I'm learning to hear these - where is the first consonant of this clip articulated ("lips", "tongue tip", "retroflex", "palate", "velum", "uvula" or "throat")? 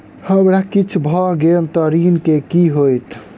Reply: throat